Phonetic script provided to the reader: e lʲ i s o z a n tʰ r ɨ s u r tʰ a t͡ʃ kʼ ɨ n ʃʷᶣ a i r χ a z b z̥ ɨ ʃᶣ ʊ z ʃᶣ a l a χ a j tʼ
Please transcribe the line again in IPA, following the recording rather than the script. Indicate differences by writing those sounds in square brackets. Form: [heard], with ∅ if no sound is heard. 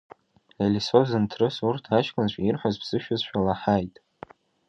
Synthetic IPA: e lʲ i s o z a n tʰ r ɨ s u r tʰ a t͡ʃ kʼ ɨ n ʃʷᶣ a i r [ħ] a z b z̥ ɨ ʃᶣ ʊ z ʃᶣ a l a [ħ] a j tʼ